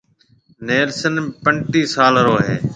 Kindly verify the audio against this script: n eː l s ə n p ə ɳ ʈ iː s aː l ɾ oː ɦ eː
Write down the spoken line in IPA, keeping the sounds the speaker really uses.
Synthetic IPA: n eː l s ə n p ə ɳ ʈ iː s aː l ɾ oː ɦ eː